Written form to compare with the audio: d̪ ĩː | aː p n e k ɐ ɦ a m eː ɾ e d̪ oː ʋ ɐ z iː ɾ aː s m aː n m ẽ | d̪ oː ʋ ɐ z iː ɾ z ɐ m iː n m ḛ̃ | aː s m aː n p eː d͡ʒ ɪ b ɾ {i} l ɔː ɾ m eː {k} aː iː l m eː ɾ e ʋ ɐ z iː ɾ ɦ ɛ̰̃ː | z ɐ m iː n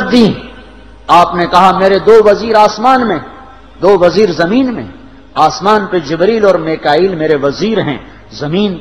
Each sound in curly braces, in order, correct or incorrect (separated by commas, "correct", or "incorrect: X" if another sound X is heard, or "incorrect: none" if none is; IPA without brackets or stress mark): incorrect: iː, correct